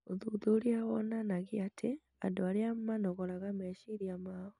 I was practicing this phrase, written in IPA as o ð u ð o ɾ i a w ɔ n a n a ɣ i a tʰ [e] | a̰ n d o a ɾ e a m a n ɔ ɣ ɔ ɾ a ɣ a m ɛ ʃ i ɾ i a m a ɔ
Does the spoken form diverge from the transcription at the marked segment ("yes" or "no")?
no